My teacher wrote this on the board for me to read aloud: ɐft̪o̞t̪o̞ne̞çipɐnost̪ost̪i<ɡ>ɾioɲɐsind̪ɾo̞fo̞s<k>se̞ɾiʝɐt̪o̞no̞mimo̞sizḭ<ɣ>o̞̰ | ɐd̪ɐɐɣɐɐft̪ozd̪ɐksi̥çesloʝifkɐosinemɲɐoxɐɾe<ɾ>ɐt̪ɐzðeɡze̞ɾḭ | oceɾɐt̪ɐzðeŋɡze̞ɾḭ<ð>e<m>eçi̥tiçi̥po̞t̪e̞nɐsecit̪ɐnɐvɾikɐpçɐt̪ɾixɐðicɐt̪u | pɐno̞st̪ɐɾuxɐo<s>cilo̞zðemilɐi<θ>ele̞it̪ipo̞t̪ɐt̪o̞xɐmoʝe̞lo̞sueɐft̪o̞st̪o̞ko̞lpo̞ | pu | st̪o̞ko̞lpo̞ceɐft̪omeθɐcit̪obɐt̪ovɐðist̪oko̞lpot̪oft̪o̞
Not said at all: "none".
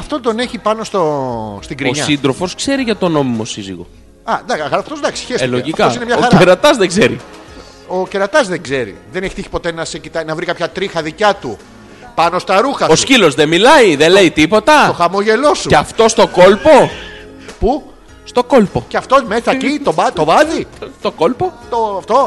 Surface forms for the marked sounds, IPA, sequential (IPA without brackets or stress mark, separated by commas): ɡ, k, ɣ, ɾ, ð, n, s, ð